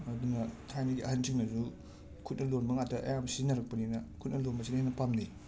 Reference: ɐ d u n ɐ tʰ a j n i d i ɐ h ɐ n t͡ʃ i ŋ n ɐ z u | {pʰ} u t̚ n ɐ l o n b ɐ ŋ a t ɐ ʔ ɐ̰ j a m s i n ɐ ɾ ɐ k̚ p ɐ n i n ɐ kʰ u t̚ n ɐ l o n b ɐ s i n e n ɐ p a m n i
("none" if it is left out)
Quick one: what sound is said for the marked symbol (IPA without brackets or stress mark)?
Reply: kʰ